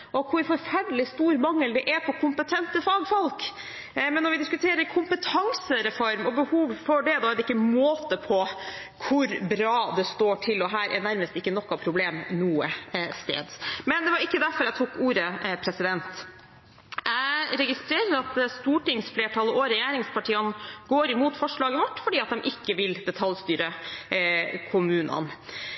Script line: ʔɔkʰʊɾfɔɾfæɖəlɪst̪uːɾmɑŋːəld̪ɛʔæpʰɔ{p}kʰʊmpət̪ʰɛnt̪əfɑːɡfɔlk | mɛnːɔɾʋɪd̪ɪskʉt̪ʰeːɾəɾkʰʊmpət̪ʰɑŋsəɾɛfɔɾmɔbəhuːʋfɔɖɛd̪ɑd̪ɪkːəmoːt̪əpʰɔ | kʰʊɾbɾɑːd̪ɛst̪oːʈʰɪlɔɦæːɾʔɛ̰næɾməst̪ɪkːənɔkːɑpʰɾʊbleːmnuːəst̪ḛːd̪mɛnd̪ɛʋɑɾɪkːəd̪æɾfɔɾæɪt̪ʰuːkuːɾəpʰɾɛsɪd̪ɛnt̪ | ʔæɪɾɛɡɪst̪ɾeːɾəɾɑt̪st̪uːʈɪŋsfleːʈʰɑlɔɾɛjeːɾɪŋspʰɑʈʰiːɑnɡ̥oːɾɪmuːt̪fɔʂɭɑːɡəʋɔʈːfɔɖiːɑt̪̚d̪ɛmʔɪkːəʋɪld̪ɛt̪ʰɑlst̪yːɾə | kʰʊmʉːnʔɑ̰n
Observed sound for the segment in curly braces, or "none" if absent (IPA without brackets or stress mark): p